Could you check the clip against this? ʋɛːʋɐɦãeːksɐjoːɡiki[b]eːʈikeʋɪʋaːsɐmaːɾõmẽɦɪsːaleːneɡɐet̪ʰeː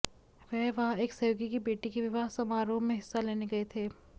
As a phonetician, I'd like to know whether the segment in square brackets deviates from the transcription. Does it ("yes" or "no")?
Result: no